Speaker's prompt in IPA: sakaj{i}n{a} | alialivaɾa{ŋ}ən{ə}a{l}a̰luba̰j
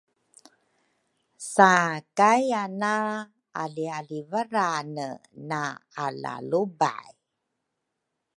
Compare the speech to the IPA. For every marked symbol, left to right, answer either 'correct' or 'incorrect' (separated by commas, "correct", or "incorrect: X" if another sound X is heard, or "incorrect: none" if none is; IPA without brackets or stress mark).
incorrect: a, correct, incorrect: n, incorrect: a, correct